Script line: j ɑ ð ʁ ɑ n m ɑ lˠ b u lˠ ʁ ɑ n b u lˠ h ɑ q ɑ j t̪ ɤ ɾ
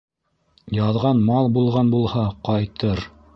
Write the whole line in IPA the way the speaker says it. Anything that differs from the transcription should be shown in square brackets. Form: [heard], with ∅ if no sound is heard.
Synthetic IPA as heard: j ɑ ð ʁ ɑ n m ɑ lˠ b u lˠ ʁ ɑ n b u lˠ h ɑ q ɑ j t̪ ɤ ɾ